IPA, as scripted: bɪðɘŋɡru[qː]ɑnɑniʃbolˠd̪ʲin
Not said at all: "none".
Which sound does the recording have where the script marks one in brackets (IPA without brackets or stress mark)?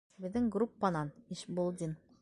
pː